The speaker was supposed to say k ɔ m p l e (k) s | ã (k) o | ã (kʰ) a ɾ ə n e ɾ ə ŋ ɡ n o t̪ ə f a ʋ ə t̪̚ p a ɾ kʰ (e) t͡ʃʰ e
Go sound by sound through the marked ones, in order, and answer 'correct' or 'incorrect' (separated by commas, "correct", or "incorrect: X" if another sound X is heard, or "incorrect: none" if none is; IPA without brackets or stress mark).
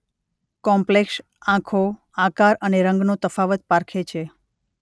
correct, incorrect: kʰ, incorrect: k, correct